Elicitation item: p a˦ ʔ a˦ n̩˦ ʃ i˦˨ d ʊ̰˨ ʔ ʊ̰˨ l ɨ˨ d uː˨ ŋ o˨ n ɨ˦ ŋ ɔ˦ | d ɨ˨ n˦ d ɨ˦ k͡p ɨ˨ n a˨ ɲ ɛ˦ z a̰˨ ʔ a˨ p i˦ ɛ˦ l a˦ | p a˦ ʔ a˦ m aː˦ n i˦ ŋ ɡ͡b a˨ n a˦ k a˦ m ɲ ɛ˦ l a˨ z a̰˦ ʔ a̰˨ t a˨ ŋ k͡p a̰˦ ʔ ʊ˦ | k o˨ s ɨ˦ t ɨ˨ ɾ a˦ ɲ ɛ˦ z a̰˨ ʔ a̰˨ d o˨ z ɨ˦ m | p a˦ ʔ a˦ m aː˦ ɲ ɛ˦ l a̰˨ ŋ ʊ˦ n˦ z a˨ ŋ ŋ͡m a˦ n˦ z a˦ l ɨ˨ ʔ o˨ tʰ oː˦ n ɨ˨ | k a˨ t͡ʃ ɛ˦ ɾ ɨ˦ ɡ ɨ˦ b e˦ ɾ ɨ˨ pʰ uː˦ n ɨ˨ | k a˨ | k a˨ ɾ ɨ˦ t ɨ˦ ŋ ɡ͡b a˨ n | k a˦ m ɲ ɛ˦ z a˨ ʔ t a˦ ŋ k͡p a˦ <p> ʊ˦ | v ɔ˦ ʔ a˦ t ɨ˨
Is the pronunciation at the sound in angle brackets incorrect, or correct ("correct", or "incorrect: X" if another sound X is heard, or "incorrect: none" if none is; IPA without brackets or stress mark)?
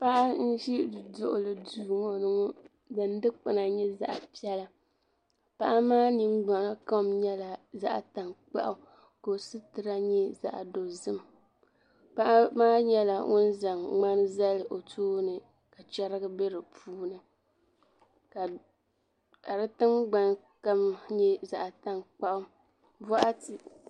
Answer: incorrect: ʔ